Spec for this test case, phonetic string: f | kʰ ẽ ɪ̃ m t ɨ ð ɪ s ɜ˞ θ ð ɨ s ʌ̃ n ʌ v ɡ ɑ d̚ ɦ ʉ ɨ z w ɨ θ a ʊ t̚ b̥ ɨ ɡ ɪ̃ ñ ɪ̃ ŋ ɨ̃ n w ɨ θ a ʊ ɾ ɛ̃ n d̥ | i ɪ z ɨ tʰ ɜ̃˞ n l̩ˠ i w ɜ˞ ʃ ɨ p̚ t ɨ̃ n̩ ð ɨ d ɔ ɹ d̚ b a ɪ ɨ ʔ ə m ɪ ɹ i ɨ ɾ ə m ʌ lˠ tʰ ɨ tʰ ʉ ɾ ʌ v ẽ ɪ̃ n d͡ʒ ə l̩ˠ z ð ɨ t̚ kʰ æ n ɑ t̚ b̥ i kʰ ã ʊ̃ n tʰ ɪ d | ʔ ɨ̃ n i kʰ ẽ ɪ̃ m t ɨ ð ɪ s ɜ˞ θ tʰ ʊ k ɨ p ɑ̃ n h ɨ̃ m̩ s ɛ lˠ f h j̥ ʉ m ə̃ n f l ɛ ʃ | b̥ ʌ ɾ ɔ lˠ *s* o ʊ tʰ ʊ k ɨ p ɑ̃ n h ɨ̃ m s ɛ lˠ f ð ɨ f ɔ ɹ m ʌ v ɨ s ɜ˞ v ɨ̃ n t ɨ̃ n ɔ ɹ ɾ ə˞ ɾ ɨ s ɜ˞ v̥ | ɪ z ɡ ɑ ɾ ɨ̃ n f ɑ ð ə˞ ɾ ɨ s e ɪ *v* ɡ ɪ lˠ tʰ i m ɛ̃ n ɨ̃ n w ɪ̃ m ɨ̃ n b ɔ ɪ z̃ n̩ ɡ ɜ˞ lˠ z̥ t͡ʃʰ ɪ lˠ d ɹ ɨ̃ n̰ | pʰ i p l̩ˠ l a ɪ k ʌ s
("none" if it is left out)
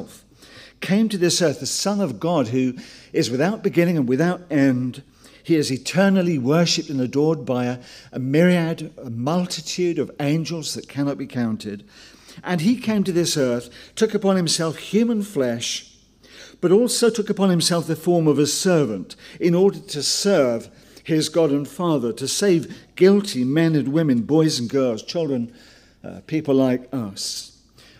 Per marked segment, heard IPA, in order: s, v

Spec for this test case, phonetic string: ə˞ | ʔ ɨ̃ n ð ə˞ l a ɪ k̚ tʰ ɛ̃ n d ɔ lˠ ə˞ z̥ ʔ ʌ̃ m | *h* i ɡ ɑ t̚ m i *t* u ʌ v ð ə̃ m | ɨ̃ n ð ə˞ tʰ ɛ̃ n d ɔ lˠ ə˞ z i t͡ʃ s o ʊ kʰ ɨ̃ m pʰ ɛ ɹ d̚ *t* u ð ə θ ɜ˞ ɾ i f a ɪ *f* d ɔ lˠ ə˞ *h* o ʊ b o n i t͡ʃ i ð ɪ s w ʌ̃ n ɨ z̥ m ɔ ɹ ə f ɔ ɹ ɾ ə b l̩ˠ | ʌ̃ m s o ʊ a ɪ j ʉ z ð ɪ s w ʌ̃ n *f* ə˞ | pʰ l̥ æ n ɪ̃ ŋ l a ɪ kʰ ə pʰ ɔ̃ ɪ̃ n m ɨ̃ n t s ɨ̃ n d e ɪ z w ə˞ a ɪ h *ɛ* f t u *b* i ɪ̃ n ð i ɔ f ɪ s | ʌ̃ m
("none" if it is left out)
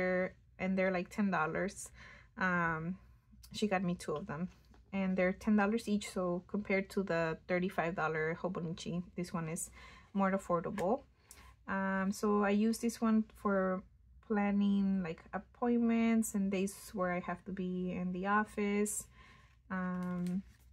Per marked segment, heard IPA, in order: ʃ, tʰ, tʰ, v, h, f, æ, b

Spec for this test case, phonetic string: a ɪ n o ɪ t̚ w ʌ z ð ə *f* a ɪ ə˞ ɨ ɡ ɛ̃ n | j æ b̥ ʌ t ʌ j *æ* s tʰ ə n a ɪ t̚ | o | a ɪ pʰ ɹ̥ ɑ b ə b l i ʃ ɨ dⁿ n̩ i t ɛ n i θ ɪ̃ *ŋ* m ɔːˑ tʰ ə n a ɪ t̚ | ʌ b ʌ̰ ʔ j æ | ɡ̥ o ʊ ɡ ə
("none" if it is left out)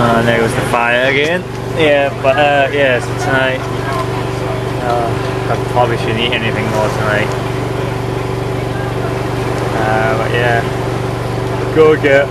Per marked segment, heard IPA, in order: f, æ, ŋ

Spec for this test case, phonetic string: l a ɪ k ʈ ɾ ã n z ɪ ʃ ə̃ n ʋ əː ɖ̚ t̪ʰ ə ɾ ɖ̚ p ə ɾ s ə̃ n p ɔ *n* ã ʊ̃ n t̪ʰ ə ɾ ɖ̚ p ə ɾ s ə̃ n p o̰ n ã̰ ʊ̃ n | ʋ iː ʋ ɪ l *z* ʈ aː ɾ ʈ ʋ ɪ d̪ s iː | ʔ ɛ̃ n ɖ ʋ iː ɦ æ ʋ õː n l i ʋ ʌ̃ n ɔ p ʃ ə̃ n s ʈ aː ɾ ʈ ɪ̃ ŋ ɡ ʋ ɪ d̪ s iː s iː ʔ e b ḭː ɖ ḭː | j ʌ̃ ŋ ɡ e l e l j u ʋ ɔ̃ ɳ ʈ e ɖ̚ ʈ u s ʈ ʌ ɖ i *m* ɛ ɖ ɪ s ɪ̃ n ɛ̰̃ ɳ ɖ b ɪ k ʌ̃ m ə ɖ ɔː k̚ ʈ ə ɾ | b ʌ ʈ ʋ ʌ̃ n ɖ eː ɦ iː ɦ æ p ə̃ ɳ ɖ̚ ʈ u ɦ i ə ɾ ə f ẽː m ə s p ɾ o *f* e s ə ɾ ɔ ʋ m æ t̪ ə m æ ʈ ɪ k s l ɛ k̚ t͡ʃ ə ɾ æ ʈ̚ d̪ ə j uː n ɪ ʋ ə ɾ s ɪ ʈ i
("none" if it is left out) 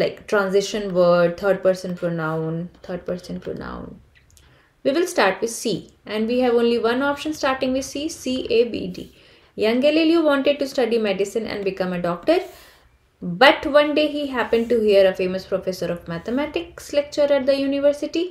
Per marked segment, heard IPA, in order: n, s, m, f

